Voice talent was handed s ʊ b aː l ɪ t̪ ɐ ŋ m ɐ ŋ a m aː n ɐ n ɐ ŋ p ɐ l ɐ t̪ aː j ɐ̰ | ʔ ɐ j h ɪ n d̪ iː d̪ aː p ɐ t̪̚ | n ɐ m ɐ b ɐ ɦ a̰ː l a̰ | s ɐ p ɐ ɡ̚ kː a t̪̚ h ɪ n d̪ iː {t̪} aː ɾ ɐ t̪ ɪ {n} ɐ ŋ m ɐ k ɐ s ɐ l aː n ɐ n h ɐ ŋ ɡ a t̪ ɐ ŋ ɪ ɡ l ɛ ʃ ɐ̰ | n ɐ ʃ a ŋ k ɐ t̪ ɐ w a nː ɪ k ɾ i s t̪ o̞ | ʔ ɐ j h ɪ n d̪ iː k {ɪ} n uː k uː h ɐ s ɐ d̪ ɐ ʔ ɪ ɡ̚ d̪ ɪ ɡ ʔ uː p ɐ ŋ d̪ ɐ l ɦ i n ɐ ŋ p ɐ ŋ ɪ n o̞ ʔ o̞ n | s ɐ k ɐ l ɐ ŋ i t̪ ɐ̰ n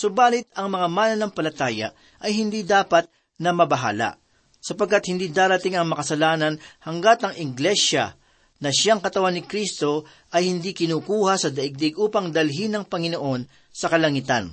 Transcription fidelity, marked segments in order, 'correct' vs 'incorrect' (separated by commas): incorrect, incorrect, correct